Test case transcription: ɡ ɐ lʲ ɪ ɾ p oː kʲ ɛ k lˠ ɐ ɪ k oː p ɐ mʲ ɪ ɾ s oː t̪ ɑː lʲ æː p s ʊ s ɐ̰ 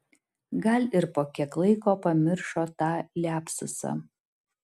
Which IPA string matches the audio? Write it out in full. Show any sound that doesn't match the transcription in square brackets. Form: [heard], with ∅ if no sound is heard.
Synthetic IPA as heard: ɡ ɐ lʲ ɪ ɾ p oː kʲ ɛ k lˠ ɐ ɪ k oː p ɐ mʲ ɪ ɾ [ʃ] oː t̪ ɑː lʲ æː p s ʊ s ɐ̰

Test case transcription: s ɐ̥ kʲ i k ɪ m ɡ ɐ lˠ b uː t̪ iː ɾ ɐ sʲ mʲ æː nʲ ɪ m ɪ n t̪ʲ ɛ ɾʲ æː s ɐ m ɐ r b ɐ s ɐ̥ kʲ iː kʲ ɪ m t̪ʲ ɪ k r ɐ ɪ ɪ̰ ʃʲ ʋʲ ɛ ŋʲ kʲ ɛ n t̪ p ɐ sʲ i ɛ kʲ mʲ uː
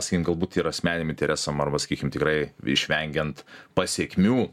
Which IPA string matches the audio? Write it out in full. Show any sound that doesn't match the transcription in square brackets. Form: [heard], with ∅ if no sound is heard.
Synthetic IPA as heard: s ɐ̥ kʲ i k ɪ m ɡ ɐ lˠ b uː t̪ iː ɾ ɐ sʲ mʲ æː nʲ ɪ m ɪ n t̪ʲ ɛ ɾʲ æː s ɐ m ɐ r b ɐ s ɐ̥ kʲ iː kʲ ɪ m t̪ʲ ɪ k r ɐ ɪ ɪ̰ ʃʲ ʋʲ ɛ ŋʲ [ɡʲ] ɛ n t̪ p ɐ sʲ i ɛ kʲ mʲ uː

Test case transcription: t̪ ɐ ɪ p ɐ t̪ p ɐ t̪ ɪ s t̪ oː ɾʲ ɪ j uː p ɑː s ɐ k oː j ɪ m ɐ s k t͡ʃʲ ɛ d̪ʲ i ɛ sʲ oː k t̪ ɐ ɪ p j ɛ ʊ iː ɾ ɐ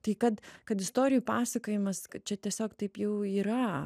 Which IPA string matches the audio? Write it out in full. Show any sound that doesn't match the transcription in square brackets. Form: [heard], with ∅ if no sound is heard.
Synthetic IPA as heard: t̪ ɐ ɪ [k] ɐ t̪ [k] ɐ t̪ ɪ s t̪ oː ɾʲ ɪ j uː p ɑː s ɐ k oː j ɪ m ɐ s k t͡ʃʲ ɛ [t̪ʲ] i ɛ sʲ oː k t̪ ɐ ɪ p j ɛ ʊ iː ɾ ɐ

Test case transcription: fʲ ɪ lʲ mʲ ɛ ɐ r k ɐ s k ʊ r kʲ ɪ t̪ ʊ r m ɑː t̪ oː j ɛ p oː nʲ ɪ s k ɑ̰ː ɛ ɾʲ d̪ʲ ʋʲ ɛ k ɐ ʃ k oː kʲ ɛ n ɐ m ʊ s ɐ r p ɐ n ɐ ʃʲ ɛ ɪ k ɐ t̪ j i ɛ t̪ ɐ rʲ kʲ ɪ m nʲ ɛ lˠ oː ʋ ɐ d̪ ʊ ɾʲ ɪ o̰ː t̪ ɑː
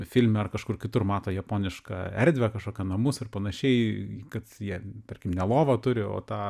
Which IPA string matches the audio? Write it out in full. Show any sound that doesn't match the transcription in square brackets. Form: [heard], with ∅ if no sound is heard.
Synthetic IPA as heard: fʲ ɪ lʲ mʲ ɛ ɐ r k ɐ [ʃ] k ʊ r kʲ ɪ t̪ ʊ r m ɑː t̪ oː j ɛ p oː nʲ ɪ [ʃ] k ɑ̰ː ɛ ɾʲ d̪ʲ ʋʲ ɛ k ɐ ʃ k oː kʲ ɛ n ɐ m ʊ s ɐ r p ɐ n ɐ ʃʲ ɛ ɪ k ɐ t̪ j i ɛ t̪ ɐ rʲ kʲ ɪ m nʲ ɛ lˠ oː ʋ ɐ [t̪] ʊ ɾʲ ɪ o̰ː t̪ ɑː

